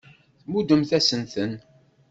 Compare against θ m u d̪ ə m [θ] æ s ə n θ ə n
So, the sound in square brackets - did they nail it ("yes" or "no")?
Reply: yes